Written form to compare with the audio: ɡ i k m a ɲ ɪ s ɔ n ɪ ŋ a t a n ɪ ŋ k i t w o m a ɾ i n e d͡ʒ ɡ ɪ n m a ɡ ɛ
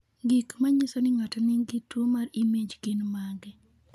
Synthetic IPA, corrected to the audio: ɡ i k m a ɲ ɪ s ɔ n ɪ ŋ a t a n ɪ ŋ ɡ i t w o m a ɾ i m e d͡ʒ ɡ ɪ n m a ɡ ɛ